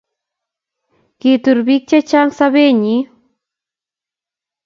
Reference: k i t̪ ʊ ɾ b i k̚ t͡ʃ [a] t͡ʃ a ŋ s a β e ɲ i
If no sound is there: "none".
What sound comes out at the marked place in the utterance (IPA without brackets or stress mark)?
a